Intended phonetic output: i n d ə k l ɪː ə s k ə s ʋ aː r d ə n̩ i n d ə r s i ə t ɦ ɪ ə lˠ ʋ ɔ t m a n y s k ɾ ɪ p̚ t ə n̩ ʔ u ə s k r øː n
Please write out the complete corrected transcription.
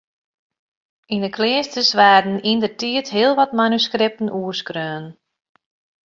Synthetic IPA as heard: i n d ə k l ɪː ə s t ə s ʋ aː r d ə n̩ i n d ə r t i ə t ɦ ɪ ə lˠ ʋ ɔ t m a n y s k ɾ ɪ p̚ t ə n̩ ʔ u ə s k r øː n

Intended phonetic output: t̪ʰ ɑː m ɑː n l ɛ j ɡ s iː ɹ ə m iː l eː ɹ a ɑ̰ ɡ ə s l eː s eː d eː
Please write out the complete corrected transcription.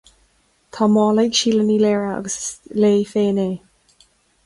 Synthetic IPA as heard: t̪ʰ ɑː m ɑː l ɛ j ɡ ʃ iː l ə n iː l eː ɹ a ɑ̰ ɡ ə s l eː f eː n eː

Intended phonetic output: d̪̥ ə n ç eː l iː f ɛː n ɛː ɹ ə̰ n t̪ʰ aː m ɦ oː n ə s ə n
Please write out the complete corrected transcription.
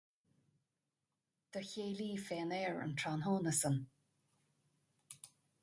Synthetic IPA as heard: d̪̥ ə ç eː l iː f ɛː n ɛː ɹ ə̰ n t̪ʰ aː n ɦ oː n ə s ə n

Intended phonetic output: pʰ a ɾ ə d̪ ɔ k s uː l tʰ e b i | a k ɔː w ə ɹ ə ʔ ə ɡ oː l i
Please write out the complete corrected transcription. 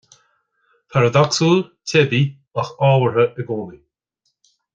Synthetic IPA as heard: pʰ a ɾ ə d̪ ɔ k s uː l tʰ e b i | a x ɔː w ə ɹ ə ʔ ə ɡ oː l i

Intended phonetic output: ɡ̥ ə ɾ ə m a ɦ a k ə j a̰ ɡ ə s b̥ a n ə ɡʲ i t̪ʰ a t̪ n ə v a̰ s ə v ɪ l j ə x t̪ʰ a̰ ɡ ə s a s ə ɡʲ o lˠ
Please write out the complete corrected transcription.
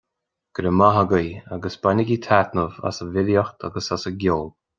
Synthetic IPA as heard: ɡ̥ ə ɾ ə m a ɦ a ɡ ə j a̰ ɡ ə s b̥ a n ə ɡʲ i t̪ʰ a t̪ n ə v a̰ s ə v ɪ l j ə x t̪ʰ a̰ ɡ ə s a s ə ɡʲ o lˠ

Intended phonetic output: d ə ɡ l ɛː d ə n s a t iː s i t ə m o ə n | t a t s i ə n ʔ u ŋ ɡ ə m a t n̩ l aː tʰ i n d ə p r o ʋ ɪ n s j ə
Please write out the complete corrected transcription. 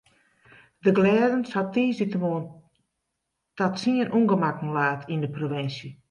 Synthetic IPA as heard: d ə ɡ l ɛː d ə n s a t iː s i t ə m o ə n | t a t s i ə n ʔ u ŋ ɡ ə m a k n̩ l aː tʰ i n d ə p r o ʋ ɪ n s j ə

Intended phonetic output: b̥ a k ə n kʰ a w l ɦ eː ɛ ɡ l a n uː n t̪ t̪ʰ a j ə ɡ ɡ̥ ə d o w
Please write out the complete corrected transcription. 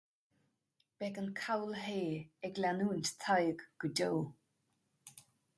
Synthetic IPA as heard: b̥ ɛ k ə n kʰ a w l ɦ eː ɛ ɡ l a n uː n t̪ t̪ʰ a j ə ɡ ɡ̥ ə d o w

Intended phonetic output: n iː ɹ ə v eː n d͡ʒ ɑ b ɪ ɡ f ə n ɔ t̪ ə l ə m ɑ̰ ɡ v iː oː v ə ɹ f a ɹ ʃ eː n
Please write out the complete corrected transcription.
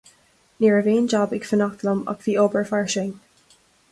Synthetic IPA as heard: n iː ɹ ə v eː n d͡ʒ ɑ b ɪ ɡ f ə n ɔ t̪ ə l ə m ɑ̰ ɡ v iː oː b ə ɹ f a ɹ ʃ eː n

